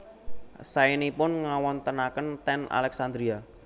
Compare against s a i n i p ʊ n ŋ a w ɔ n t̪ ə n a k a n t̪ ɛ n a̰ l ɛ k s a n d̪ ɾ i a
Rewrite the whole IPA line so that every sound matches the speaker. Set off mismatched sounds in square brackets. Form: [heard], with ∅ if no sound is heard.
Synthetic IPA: s a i n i p ʊ n ŋ a w ɔ n t̪ ə n a k [ə] n t̪ ɛ n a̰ l ɛ k s a n d̪ ɾ i a